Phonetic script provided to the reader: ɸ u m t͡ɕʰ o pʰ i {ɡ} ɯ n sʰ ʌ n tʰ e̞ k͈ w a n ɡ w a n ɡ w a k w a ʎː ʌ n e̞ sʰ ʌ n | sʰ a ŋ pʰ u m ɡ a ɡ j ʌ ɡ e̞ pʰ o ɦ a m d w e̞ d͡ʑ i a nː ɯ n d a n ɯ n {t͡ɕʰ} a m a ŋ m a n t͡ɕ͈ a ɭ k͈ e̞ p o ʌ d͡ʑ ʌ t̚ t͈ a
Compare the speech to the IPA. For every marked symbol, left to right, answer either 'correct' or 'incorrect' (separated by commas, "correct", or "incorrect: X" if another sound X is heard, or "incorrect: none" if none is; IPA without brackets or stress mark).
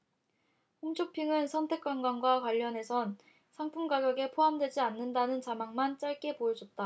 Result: incorrect: ŋ, incorrect: t͡ɕ